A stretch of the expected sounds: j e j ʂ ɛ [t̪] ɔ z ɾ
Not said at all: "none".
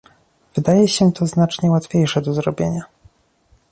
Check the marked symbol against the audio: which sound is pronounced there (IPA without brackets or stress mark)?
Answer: d̪